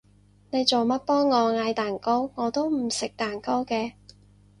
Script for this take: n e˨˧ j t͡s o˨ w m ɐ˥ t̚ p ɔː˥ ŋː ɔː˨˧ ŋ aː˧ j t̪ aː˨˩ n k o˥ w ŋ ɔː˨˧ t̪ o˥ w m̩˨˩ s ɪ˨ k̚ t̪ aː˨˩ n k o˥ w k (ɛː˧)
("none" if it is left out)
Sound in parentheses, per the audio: ɛː˧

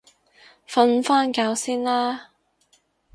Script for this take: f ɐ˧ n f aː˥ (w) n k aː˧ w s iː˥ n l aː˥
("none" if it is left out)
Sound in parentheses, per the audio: none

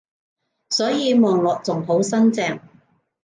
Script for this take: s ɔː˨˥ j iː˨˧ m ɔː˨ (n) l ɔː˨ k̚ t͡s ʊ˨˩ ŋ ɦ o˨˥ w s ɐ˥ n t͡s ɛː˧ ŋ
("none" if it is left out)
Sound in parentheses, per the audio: ŋ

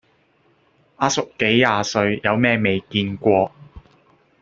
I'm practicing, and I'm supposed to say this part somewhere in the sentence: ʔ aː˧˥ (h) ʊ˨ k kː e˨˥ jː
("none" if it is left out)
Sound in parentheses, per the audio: s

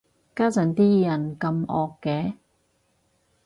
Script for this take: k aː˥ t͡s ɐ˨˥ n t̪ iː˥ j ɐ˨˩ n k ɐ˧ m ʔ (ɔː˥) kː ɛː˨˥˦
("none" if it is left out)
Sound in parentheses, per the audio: ɔː˨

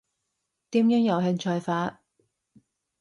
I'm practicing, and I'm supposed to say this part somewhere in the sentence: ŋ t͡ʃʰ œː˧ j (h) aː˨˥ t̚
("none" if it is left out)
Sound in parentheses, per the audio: f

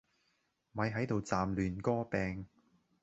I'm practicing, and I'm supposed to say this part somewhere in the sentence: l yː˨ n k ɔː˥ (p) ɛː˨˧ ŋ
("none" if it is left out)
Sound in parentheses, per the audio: p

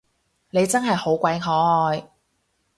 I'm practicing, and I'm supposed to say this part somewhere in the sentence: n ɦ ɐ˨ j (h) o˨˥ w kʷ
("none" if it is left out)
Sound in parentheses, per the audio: h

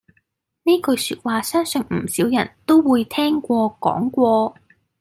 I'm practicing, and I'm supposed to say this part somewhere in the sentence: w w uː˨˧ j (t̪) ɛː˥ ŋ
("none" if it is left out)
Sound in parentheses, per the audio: t̪ʰ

